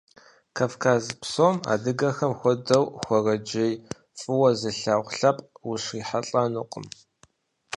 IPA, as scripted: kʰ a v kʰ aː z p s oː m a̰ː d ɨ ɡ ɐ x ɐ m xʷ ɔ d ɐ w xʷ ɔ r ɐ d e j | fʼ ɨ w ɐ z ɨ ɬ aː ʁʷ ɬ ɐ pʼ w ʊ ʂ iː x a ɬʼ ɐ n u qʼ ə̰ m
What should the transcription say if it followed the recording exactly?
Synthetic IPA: kʰ a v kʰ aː z p s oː m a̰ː d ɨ ɡ ɐ x ɐ m xʷ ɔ d ɐ w xʷ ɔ r ɐ d͡ʒ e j | fʼ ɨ w ɐ z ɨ ɬ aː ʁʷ ɬ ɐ pʼ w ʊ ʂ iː ħ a ɬʼ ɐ n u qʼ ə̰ m

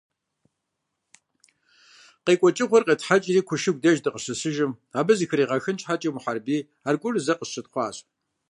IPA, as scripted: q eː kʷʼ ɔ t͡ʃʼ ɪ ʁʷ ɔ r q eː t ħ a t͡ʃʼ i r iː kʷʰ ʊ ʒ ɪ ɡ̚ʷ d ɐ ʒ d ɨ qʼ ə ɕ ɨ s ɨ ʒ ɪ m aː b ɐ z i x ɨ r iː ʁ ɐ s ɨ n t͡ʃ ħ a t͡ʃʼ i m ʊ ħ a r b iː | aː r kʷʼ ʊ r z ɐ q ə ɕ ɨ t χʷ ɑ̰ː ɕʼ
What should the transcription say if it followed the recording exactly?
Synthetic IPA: q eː kʷʼ ɔ t͡ʃʼ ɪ ʁʷ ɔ r q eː t ħ a t͡ʃʼ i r iː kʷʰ ʊ ʃ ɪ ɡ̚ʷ d ɐ ʒ d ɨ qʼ ə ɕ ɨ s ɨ ʒ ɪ m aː b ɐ z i x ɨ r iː ʁ ɐ x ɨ n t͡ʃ ħ a t͡ʃʼ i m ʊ ħ a r b iː | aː r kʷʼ ʊ r z ɐ q ə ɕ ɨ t χʷ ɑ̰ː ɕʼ

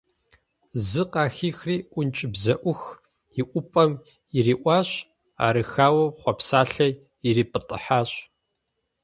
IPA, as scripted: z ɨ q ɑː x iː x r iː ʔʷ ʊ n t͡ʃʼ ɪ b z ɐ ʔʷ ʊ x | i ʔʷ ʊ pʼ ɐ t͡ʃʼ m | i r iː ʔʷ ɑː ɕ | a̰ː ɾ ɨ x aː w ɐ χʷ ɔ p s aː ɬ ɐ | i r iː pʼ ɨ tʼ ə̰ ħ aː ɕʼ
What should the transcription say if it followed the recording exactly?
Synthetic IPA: z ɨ q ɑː x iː x r iː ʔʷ ʊ n t͡ʃʼ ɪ b z ɐ ʔʷ ʊ x | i ʔʷ ʊ pʼ ɐ m | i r iː ʔʷ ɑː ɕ | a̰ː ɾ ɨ x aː w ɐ χʷ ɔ p s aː ɬ ɐ | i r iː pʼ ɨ tʼ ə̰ ħ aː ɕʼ

